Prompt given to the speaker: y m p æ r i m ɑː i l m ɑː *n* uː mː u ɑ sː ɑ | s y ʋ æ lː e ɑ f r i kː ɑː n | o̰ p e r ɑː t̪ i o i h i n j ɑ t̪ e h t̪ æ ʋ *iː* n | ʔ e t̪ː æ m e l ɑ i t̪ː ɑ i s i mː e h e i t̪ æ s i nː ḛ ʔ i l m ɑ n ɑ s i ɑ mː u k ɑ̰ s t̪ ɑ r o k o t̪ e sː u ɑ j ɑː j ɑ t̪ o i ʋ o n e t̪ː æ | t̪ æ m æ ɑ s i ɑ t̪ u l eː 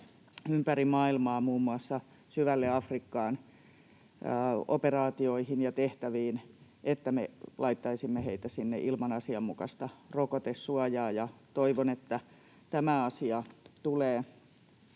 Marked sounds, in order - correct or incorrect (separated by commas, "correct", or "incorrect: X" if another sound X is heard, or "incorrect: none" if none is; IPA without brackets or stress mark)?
incorrect: m, correct